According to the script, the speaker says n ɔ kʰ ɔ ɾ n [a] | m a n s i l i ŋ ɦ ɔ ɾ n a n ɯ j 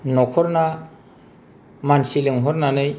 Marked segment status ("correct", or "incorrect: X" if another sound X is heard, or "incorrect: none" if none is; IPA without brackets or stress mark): correct